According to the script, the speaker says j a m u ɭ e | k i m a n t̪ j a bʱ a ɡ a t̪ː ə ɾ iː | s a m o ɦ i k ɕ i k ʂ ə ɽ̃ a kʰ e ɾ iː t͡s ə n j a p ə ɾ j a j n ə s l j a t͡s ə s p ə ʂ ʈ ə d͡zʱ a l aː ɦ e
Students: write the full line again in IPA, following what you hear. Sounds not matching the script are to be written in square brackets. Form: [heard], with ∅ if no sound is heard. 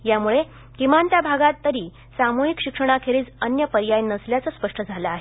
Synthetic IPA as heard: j a m u ɭ e | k i m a n t̪ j a bʱ a ɡ a t̪ː ə ɾ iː | s a m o ɦ i k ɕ i k ʂ ə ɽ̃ a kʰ e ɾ iː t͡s ə n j [ə] p ə ɾ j a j n ə s l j a t͡s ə s p ə ʂ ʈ ə d͡zʱ a l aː ɦ e

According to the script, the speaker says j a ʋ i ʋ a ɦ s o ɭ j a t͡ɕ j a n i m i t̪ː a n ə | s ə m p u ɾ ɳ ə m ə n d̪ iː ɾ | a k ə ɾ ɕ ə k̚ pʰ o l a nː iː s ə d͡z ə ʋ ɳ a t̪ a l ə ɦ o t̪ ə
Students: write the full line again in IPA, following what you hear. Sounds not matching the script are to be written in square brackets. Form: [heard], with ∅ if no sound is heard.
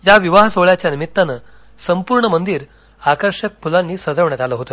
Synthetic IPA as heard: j a ʋ i ʋ a ɦ s o ɭ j a t͡ɕ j a n i m i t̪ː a n ə | s ə m p u ɾ ɳ ə m ə n d̪ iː ɾ | a k ə ɾ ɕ ə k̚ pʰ [u] l a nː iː s ə d͡z ə ʋ ɳ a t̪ a l ə ɦ o t̪ ə

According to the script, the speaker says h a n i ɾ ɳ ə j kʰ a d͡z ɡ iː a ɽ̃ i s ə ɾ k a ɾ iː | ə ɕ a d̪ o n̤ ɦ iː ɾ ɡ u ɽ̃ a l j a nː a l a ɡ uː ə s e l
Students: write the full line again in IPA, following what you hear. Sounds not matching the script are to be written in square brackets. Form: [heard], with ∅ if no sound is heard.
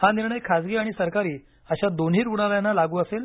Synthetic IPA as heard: h a n i ɾ ɳ ə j kʰ a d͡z ɡ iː a ɽ̃ i s ə ɾ k a ɾ iː | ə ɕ a d̪ o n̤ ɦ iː ɾ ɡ u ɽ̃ a l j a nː a l a ɡ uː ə s e l

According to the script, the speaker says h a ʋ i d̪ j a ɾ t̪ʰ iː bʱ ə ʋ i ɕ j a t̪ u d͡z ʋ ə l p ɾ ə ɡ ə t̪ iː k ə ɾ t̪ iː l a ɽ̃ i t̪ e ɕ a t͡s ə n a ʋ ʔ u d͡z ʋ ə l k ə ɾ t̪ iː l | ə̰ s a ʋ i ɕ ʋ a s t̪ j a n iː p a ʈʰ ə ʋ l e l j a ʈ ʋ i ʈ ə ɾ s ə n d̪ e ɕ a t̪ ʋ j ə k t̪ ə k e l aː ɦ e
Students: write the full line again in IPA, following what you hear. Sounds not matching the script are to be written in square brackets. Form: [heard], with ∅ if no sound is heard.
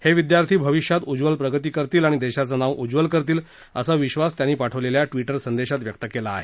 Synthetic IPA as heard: h [e] ʋ i d̪ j a ɾ t̪ʰ iː bʱ ə ʋ i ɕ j a t̪ u d͡z ʋ ə l p ɾ ə ɡ ə t̪ iː k ə ɾ t̪ iː l a ɽ̃ i [d̪] e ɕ a t͡s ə n a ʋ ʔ u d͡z ʋ ə l k ə ɾ t̪ iː l | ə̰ s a ʋ i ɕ ʋ a s t̪ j a n iː p a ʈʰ ə ʋ l e l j a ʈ ʋ i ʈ ə ɾ s ə n d̪ e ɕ a t̪ ʋ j ə k t̪ ə k e l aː ɦ e

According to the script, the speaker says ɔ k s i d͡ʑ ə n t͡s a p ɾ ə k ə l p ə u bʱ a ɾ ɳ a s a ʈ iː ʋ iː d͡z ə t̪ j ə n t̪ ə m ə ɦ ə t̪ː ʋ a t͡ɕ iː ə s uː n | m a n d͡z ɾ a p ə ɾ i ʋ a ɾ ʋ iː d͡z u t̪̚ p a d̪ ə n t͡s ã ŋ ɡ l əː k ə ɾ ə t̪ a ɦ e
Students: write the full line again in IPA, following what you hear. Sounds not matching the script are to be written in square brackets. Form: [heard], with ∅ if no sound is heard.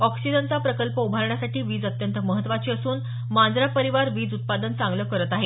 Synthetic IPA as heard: ɔ k s i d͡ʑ ə n t͡s a p ɾ ə k ə l p ə u bʱ a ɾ ɳ a s a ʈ iː ʋ iː d͡z ə t̪ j ə n t̪ ə m ə ɦ ə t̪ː ʋ a t͡ɕ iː ə s uː n | m a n d͡z ɾ a p ə ɾ i ʋ a ɾ ʋ iː d͡z u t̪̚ p a d̪ ə n t͡s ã ŋ ɡ l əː k ə ɾ ə t̪ a ɦ e

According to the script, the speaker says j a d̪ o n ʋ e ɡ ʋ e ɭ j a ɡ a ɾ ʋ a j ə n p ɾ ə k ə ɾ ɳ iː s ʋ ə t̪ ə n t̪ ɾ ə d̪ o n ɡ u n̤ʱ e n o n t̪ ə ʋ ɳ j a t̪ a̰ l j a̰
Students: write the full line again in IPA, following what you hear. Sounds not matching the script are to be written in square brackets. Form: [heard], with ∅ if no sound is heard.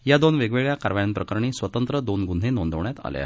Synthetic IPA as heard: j a d̪ o n ʋ e ɡ ʋ e ɭ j a [k] a ɾ ʋ a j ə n p ɾ ə k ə ɾ ɳ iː s ʋ ə t̪ ə n t̪ ɾ ə d̪ o n ɡ u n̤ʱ e n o n [d̪] ə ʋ ɳ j a t̪ a̰ l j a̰

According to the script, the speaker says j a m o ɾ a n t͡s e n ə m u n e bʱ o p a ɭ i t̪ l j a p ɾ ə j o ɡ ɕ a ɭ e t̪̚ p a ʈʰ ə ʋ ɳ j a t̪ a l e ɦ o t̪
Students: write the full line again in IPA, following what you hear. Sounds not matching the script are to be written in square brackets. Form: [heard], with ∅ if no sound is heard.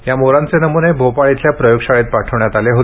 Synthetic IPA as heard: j a m o ɾ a n t͡s e n ə m u n e bʱ o p a ɭ i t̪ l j a p ɾ ə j o ɡ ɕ a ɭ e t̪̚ p a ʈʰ ə ʋ ɳ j a t̪ a l e ɦ o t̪

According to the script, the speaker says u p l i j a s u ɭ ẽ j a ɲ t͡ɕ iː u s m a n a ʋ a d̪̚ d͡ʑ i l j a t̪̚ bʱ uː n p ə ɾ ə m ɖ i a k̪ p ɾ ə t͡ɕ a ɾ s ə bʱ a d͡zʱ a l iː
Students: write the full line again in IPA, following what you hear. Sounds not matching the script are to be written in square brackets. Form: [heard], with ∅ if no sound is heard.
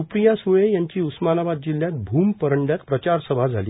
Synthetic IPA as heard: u p [ɾ] i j a s u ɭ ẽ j a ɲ t͡ɕ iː u s m a n a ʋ a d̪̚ d͡ʑ i l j a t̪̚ bʱ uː [m] p ə ɾ ə [ɳ] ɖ [j] a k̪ p ɾ ə t͡ɕ a ɾ s ə bʱ a d͡zʱ a l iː

